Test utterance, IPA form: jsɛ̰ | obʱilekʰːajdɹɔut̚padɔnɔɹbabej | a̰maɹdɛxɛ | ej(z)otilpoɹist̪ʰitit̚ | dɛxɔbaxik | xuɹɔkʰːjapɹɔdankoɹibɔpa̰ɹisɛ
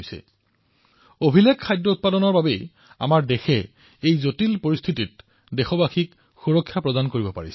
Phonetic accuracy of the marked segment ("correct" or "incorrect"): correct